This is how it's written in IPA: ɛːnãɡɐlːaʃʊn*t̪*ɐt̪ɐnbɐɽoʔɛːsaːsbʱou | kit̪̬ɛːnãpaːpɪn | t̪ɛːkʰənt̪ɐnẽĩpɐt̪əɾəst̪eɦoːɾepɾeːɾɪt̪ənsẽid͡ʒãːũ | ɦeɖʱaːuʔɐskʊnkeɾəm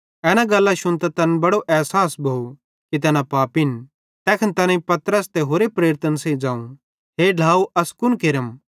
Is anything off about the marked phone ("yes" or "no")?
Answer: no